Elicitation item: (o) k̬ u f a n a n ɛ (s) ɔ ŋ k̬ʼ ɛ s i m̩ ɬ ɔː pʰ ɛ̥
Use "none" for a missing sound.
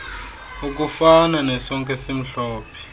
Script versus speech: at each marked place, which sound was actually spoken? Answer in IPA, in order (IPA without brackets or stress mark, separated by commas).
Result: u, s